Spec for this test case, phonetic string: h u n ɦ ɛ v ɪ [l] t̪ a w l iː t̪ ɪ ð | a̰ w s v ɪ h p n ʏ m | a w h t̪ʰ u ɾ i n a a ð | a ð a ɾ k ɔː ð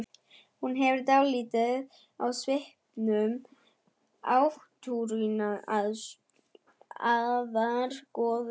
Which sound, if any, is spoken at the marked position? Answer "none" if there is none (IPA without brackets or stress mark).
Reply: ɾ